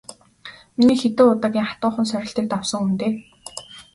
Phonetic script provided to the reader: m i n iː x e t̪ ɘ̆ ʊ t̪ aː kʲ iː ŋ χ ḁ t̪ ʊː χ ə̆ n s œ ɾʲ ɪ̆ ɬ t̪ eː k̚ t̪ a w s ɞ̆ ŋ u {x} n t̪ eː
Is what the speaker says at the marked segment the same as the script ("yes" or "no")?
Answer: no